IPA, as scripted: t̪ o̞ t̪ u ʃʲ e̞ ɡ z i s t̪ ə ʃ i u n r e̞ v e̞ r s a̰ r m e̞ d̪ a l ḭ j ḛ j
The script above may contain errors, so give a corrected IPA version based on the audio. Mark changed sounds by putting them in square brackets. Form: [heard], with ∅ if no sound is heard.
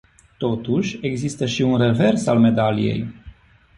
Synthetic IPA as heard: t̪ o̞ t̪ u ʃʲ e̞ ɡ z i s t̪ ə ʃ i u n r e̞ v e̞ r s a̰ [l] m e̞ d̪ a l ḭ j ḛ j

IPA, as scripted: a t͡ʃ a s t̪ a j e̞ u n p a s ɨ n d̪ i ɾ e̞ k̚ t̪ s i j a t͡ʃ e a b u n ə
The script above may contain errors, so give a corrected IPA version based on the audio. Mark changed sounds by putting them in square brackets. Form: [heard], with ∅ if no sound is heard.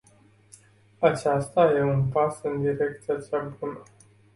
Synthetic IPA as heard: a t͡ʃ a s t̪ a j e̞ u n p a s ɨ n d̪ i ɾ e̞ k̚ t̪ s i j a t͡ʃ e a b u n ə

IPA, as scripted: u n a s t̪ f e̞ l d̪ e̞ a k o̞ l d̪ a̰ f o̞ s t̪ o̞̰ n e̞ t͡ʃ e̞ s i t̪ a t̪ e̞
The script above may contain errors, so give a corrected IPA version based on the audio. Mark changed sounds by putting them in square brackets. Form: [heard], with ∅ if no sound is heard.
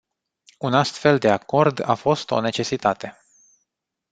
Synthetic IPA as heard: u n a s t̪ f e̞ l d̪ e̞ a k o̞ [r] d̪ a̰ f o̞ s t̪ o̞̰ n e̞ t͡ʃ e̞ s i t̪ a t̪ e̞

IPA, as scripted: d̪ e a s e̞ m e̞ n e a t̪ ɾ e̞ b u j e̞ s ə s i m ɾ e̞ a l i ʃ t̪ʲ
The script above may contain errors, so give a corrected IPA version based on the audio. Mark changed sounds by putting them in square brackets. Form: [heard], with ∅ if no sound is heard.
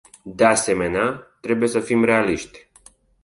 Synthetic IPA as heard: d̪ e a s e̞ m e̞ n e a t̪ ɾ e̞ b u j e̞ s ə [f] i m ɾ e̞ a l i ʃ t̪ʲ

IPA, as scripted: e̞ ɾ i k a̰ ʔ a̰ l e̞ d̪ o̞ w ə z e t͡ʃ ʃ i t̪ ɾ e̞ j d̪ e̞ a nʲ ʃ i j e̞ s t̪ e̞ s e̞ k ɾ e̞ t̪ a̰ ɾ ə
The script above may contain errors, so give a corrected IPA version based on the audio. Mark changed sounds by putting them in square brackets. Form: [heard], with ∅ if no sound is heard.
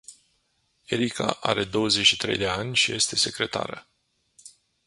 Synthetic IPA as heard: e̞ ɾ i k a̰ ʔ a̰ [ɾ] e̞ d̪ o̞ w ə z e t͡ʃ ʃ i t̪ ɾ e̞ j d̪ e̞ a nʲ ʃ i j e̞ s t̪ e̞ s e̞ k ɾ e̞ t̪ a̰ ɾ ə

